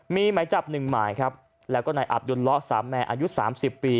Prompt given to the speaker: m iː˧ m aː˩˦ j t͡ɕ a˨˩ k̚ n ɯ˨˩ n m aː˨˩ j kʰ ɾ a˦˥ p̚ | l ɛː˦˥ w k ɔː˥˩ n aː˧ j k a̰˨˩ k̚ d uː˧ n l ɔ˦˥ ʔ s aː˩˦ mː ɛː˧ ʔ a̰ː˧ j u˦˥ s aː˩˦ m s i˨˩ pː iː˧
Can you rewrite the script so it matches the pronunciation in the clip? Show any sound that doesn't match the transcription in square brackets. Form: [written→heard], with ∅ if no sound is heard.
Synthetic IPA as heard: m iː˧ m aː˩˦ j t͡ɕ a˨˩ [k̚→p̚] n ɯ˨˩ [n→ŋ] m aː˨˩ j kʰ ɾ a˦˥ p̚ | l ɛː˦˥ w k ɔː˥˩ n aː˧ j [k→ʔ] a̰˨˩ [k̚→p̚] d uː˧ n l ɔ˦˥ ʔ s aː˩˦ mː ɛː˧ ʔ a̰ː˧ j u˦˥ s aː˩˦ m s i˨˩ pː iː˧